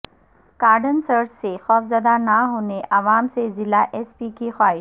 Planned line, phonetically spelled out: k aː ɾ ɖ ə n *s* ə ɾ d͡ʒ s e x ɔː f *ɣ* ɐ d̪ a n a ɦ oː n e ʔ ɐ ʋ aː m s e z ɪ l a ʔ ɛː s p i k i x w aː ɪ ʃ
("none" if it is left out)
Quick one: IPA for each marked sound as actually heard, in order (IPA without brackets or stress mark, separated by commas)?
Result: s, z